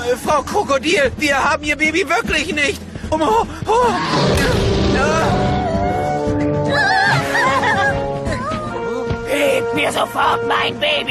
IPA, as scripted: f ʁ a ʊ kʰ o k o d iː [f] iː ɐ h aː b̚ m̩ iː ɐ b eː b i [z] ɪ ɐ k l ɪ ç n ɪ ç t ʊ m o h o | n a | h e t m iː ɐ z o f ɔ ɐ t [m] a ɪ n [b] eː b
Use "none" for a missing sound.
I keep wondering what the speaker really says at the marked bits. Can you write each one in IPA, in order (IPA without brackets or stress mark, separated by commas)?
v, v, m, b